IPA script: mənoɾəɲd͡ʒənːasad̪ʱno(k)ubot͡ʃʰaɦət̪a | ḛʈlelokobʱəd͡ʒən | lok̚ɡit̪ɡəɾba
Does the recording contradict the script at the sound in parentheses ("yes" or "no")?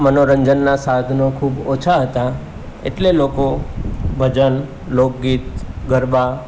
yes